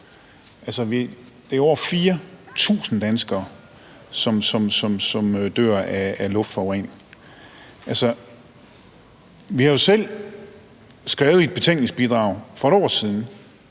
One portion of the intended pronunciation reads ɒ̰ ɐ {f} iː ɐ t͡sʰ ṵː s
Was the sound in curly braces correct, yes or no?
yes